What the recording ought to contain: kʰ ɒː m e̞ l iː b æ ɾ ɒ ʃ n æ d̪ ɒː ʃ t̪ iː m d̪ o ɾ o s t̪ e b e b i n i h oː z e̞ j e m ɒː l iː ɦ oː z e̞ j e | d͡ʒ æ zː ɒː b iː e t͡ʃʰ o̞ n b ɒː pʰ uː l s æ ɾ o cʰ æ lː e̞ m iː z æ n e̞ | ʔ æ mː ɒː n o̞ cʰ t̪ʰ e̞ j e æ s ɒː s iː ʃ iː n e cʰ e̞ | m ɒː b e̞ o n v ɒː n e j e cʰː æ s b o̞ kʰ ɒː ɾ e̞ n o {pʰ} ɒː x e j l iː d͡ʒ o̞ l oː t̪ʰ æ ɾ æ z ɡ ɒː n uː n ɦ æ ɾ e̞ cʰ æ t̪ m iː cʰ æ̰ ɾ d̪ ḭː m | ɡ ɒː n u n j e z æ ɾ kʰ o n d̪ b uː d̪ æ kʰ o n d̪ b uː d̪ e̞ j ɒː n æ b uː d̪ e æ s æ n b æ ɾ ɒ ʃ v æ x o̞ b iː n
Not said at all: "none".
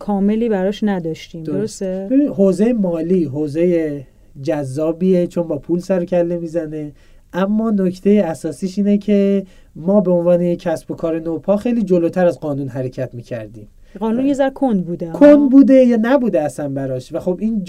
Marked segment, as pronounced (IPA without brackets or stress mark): pʰ